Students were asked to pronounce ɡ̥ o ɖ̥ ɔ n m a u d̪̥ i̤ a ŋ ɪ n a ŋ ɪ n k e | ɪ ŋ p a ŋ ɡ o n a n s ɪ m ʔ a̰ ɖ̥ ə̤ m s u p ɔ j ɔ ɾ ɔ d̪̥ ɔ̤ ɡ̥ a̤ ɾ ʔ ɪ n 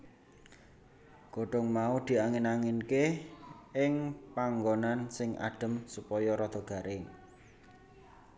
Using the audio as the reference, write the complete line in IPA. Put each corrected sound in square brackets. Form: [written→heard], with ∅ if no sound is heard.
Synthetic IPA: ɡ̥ o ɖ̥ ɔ [n→ŋ] m a u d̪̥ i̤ a ŋ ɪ n a ŋ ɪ n k e | ɪ ŋ p a ŋ ɡ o n a n s ɪ [m→ŋ] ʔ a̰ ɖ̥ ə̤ m s u p ɔ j ɔ ɾ ɔ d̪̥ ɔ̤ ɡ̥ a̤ ɾ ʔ ɪ [n→ŋ]